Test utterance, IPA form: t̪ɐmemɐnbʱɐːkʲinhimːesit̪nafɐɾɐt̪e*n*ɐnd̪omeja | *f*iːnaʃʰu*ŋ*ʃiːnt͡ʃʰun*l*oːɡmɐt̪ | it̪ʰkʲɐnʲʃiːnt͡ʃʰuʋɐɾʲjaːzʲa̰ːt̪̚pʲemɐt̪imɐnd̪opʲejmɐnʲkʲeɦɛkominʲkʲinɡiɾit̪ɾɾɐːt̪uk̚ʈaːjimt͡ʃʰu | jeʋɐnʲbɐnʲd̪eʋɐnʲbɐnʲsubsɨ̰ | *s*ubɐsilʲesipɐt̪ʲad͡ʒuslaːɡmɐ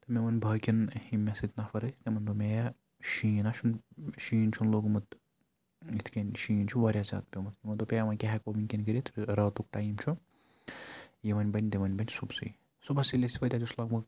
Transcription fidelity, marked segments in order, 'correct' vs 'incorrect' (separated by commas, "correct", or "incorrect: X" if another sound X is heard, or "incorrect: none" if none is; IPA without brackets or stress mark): incorrect: m, incorrect: ʃ, incorrect: n, correct, correct